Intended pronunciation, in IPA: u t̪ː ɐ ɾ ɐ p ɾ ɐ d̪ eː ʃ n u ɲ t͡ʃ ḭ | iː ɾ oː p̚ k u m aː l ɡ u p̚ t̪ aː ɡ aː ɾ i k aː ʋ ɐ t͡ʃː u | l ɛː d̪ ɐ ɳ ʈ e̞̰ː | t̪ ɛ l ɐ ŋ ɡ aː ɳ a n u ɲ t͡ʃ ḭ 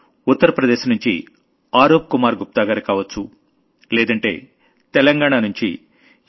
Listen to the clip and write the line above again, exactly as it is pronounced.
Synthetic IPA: u t̪ː ɐ ɾ ɐ p ɾ ɐ d̪ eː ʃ n u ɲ t͡ʃ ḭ | aː ɾ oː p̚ k u m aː ɾ ɡ u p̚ t̪ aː ɡ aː ɾ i k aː ʋ ɐ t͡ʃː u | l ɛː d̪ ɐ ɳ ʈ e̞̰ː | t̪ ɛ l ɐ ŋ ɡ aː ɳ a n u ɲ t͡ʃ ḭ